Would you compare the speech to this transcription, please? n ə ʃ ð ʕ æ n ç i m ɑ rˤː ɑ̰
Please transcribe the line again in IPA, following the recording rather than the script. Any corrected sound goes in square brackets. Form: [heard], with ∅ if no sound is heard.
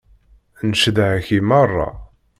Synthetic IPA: n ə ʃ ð ʕ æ [∅] ç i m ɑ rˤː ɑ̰